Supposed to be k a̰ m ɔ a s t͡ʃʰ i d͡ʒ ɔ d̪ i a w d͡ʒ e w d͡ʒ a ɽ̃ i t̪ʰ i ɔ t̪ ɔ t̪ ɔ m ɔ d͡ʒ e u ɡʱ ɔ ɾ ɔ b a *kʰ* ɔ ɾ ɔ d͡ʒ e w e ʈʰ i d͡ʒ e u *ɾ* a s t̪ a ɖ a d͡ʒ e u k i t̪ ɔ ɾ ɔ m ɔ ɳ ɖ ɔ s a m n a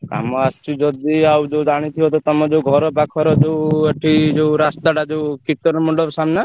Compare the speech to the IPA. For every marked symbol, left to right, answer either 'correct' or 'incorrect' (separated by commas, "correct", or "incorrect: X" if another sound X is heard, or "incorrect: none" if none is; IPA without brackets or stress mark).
correct, correct